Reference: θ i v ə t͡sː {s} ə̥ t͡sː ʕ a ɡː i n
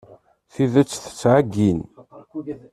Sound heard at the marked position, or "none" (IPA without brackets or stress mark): θ